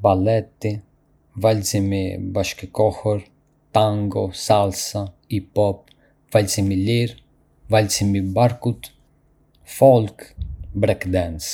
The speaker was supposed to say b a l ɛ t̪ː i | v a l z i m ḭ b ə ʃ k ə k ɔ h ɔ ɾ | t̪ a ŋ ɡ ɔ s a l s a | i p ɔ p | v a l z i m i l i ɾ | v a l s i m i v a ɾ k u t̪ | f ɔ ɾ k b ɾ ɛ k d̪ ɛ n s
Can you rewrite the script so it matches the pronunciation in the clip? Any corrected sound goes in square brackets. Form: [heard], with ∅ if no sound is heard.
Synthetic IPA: b a l ɛ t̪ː i | v a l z i m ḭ b [a] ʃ k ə k ɔ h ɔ ɾ | t̪ a ŋ ɡ ɔ s a l s a | i p ɔ p | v a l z i m i l i ɾ | v a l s i m i [b] a ɾ k u t̪ | f ɔ [l] k b ɾ ɛ k d̪ ɛ n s

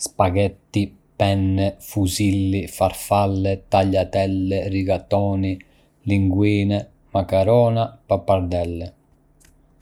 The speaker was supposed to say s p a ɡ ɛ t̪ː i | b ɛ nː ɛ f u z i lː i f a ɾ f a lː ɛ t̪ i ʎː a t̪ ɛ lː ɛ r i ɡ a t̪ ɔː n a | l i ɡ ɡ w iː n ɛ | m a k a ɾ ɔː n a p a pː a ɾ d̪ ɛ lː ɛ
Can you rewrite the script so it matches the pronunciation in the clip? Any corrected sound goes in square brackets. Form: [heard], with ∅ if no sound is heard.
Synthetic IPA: s p a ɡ ɛ t̪ː i | [p] ɛ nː ɛ f u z i lː i f a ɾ f a lː ɛ t̪ [a] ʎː a t̪ ɛ lː ɛ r i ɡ a t̪ ɔː n [i] | l i [ŋ] ɡ w iː n ɛ | m a k a ɾ ɔː n a p a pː a ɾ d̪ ɛ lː ɛ

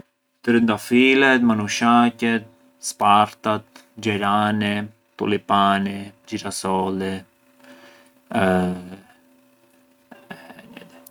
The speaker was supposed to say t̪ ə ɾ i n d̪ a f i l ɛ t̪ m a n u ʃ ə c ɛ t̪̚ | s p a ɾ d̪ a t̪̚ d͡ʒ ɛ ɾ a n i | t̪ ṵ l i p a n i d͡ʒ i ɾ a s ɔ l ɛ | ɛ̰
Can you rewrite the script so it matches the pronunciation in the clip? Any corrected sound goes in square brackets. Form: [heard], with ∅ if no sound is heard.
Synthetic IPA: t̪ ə ɾ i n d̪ a f i l ɛ t̪ m a n u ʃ [a] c ɛ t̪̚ | s p a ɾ [t̪] a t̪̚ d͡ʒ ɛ ɾ a n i | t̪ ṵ l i p a n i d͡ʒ i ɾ a s ɔ l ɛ | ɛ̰

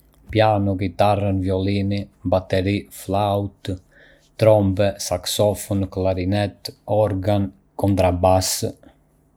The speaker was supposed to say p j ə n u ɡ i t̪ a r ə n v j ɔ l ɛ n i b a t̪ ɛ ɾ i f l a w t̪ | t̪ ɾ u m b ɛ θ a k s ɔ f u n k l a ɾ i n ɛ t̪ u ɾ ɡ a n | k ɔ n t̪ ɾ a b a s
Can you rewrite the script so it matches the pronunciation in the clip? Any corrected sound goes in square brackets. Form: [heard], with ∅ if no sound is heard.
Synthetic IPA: p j [a] n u ɡ i t̪ a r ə n v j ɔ l [i] n i b a t̪ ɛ ɾ i f l a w t̪ | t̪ ɾ [ɔ] m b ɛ [s] a k s ɔ f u n k l a ɾ i n ɛ t̪ [ɔ] ɾ ɡ a n | k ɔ n t̪ ɾ a b a s

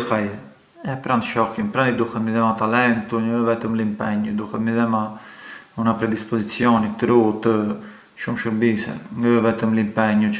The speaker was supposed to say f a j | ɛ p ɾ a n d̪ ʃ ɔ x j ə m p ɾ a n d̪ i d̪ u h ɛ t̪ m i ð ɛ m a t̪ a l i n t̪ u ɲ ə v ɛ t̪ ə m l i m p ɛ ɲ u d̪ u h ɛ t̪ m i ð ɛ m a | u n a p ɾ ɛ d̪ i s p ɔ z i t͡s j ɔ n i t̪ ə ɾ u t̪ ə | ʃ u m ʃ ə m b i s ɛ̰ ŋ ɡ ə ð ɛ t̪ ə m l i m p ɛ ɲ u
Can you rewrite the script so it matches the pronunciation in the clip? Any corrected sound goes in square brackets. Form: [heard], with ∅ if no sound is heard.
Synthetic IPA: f a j | ɛ p ɾ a n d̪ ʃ ɔ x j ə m p ɾ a n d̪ i d̪ u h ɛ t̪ m i ð ɛ m a t̪ a l [ɛ] n t̪ u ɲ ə v ɛ t̪ ə m l i m p ɛ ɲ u d̪ u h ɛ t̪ m i ð ɛ m a | u n a p ɾ ɛ d̪ i s p ɔ z i t͡s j ɔ n i t̪ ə ɾ u t̪ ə | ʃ u m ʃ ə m b i s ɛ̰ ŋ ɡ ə [v] ɛ t̪ ə m l i m p ɛ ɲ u

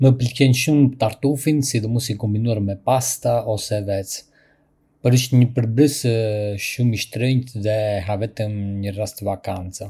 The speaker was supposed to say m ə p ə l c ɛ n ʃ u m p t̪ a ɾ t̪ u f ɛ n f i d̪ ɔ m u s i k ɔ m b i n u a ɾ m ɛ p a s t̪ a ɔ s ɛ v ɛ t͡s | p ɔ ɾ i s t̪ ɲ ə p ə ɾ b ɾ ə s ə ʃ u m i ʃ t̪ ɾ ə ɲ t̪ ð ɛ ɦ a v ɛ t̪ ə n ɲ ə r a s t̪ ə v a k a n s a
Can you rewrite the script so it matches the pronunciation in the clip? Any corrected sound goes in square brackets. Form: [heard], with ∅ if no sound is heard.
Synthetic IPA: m ə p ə l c ɛ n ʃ u m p t̪ a ɾ t̪ u f [i] n [s] i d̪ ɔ m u s i k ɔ m b i n u a ɾ m ɛ p a s t̪ a ɔ s ɛ v ɛ t͡s | p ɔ ɾ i [ʃ] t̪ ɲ ə p ə ɾ b ɾ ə s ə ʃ u m i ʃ t̪ ɾ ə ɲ t̪ ð ɛ ɦ a v ɛ t̪ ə [m] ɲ ə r a s t̪ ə v a k a n [t͡s] a

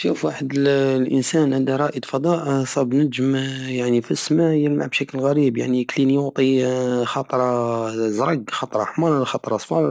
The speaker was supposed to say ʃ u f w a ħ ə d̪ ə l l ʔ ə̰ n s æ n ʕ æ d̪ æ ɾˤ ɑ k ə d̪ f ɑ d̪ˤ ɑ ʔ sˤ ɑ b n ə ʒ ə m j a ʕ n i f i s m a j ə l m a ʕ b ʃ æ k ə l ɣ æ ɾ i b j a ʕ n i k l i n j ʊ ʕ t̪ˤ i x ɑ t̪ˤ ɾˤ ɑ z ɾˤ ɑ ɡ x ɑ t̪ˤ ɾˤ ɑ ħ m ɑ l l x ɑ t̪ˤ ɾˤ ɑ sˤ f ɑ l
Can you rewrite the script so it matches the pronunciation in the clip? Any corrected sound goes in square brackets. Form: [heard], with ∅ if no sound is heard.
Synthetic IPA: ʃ u f w a ħ ə d̪ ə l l ʔ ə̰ n s æ n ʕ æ d̪ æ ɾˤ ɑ [ʔ] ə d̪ f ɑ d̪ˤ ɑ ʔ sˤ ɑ b n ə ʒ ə m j a ʕ n i f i s m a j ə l m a ʕ b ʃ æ k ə l ɣ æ ɾ i b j a ʕ n i k l i n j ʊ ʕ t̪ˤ i x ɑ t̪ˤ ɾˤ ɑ z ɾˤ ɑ ɡ x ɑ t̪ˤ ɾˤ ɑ ħ m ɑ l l x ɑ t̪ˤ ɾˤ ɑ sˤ f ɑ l

